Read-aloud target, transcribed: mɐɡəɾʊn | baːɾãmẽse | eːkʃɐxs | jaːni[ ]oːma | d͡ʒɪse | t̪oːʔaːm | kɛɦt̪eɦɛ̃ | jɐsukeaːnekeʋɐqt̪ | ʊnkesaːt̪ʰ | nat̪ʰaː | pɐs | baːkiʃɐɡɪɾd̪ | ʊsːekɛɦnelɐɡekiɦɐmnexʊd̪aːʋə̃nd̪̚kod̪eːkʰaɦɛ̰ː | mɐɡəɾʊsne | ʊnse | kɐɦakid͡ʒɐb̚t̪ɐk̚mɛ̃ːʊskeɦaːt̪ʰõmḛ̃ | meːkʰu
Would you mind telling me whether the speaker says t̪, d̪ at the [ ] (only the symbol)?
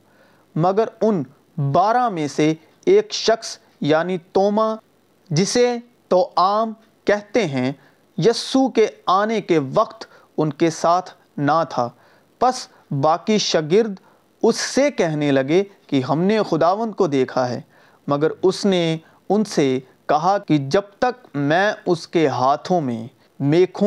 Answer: t̪